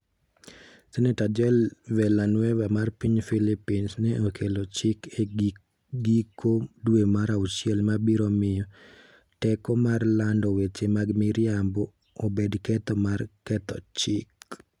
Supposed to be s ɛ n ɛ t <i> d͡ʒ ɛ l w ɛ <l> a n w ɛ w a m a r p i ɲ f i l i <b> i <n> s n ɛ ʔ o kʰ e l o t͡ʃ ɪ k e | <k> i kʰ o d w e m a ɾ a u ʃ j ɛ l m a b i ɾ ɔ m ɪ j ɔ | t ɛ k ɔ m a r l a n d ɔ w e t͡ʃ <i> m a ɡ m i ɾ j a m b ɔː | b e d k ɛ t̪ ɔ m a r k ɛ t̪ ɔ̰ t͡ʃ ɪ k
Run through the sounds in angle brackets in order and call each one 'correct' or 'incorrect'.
incorrect: a, correct, incorrect: p, correct, incorrect: ɡ, incorrect: e

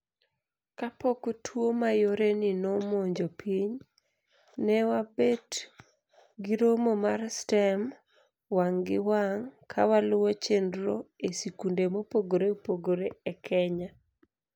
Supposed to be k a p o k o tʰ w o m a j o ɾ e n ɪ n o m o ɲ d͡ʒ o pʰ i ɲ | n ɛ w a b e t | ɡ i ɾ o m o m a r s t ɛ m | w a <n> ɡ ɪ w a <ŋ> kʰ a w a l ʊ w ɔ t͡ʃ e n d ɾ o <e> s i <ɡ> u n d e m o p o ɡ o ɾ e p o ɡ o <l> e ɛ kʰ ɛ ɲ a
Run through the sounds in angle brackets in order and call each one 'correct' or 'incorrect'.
incorrect: ŋ, correct, correct, incorrect: k, incorrect: ɾ

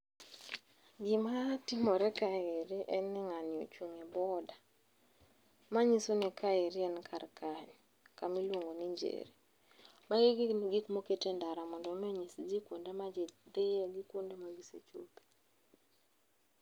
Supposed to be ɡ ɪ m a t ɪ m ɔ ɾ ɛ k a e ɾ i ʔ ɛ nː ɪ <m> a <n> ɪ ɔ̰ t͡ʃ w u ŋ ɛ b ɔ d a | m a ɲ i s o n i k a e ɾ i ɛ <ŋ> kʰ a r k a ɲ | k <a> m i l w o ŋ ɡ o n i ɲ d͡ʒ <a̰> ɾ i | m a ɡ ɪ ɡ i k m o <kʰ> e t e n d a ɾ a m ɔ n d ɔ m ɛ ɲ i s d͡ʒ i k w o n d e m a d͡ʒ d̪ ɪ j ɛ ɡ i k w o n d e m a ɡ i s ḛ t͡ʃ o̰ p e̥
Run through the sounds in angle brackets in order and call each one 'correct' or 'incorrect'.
incorrect: ŋ, correct, incorrect: n, correct, incorrect: ḛ, incorrect: k

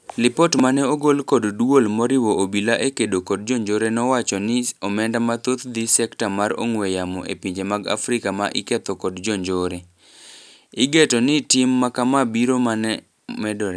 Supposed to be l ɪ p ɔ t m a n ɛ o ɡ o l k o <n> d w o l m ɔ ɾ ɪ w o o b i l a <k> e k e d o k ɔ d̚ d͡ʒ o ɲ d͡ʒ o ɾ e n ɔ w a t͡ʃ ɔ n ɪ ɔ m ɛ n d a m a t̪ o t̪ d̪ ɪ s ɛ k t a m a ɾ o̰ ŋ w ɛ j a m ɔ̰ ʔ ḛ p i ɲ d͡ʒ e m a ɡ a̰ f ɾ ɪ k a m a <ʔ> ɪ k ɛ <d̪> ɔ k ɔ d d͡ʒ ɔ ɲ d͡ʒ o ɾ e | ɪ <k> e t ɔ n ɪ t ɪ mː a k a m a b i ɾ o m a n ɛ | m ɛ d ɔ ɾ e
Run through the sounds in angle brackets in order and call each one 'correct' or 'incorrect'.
incorrect: d, incorrect: ʔ, correct, incorrect: t̪, incorrect: ɡ

